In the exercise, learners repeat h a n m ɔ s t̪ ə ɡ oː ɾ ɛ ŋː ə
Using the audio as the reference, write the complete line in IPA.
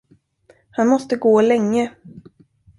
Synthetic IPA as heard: h a n m ɔ s t̪ ə ɡ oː l ɛ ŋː ə